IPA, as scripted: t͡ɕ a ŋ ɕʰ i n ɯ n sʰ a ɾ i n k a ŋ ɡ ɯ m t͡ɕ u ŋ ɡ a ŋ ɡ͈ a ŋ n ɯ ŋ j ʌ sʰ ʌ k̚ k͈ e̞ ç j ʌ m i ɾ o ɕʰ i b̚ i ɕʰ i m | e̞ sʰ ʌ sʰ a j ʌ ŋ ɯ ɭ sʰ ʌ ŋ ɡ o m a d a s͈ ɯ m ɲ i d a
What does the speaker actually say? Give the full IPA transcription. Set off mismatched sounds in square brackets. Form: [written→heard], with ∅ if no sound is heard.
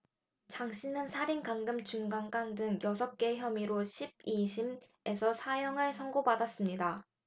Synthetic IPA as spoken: t͡ɕ a ŋ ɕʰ i n ɯ n sʰ a ɾ i n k a ŋ ɡ ɯ m t͡ɕ u ŋ ɡ a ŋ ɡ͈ a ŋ [n→d] ɯ ŋ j ʌ sʰ ʌ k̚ k͈ e̞ ç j ʌ m i ɾ o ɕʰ i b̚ i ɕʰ i m | e̞ sʰ ʌ sʰ a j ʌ ŋ ɯ ɭ sʰ ʌ ŋ ɡ o [m→b] a d a s͈ ɯ m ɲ i d a